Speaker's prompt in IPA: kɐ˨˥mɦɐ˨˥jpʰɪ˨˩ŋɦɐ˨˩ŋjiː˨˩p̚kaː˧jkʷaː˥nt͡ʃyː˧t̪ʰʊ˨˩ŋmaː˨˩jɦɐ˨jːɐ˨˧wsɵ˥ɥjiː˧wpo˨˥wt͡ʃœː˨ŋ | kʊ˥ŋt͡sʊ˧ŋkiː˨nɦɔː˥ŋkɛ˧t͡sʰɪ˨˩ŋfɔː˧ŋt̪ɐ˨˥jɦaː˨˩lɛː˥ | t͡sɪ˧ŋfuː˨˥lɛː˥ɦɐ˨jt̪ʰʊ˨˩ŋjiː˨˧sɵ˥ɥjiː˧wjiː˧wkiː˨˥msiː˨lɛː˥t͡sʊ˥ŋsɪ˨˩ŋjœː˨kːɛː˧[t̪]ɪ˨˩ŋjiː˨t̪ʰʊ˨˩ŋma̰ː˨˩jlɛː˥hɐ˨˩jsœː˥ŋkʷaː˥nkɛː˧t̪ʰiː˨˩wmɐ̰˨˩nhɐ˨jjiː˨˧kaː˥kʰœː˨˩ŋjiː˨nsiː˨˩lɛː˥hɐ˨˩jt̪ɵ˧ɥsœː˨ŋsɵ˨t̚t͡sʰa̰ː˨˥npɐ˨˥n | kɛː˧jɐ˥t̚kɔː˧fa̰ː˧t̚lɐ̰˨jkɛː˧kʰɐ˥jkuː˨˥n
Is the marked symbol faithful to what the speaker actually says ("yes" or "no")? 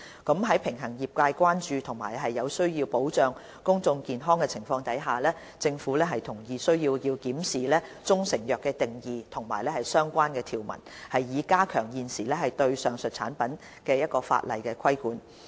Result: yes